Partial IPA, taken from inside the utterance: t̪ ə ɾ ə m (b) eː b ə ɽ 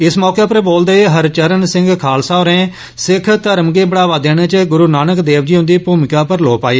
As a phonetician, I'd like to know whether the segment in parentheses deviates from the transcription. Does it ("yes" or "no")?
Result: yes